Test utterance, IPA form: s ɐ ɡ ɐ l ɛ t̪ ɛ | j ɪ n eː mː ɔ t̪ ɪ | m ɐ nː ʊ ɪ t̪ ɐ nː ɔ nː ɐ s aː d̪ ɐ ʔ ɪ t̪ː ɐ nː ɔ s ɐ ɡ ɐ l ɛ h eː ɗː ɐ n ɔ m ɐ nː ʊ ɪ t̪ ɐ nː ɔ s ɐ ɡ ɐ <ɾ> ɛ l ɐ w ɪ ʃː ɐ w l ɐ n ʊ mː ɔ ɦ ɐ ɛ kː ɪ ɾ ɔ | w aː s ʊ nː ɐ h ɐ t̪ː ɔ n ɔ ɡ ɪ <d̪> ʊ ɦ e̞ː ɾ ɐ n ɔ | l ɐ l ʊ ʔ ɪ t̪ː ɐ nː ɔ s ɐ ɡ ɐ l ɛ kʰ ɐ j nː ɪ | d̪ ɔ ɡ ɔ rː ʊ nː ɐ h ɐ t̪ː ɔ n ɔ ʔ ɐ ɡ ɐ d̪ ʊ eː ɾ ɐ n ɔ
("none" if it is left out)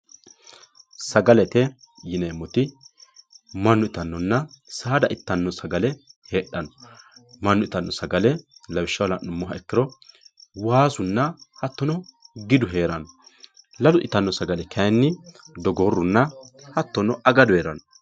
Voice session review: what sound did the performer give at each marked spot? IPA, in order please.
l, d̪

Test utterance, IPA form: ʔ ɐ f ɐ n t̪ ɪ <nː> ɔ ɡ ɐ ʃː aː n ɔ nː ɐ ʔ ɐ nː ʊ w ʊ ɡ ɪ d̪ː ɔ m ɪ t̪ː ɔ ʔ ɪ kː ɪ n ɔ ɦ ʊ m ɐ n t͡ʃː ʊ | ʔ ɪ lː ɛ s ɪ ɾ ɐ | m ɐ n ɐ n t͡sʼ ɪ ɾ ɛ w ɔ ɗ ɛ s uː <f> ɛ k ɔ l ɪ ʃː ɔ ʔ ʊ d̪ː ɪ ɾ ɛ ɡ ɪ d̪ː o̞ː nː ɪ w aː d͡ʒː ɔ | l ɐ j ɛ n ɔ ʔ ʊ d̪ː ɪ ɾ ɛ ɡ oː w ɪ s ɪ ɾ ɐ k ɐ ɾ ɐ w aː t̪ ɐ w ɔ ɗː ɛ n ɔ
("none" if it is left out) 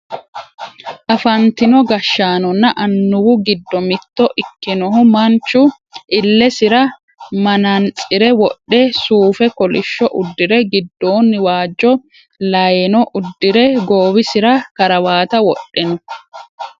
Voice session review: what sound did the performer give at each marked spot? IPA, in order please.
n, f

